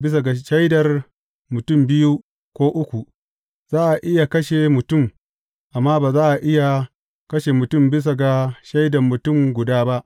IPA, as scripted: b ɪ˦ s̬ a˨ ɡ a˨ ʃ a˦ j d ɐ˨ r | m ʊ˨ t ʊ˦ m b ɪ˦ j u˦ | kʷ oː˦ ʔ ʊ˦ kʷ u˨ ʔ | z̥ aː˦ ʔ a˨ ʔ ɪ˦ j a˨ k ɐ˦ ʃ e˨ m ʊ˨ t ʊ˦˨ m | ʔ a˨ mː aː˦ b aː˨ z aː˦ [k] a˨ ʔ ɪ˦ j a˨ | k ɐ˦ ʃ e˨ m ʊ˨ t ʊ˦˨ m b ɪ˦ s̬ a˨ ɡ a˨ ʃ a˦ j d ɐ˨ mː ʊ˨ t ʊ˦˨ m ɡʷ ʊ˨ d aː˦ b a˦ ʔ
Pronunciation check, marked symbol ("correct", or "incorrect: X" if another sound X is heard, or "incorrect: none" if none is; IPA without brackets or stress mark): incorrect: ʔ